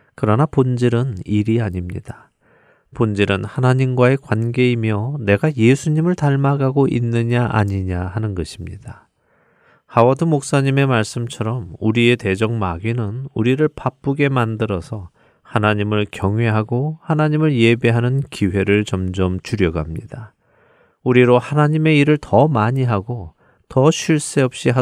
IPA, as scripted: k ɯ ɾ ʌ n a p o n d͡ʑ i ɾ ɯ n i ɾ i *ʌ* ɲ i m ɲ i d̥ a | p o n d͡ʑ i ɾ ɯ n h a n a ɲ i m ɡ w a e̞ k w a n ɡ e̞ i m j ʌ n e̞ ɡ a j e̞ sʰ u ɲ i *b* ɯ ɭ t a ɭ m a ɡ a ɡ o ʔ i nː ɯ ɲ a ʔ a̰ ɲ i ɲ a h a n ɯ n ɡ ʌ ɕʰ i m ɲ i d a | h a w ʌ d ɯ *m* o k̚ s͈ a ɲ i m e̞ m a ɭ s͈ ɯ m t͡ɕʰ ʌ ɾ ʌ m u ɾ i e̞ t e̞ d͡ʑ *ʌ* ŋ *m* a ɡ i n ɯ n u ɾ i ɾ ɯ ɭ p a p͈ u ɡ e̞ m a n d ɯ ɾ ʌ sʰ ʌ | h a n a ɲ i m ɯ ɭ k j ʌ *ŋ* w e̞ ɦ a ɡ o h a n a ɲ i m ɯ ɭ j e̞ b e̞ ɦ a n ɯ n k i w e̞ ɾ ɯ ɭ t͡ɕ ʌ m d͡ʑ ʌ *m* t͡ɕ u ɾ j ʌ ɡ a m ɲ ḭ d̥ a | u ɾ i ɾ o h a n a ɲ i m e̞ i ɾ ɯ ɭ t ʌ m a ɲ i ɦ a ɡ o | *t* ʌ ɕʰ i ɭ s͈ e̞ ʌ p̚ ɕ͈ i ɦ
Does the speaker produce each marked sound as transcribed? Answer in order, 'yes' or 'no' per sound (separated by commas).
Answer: no, no, yes, yes, yes, yes, yes, yes